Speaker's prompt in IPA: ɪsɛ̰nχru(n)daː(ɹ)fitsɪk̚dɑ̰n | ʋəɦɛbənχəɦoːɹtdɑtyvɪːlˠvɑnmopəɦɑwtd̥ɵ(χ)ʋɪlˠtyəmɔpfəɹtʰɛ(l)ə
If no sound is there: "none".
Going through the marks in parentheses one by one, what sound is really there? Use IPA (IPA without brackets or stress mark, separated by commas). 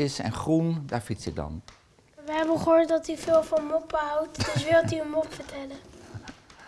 n, ɹ, s, l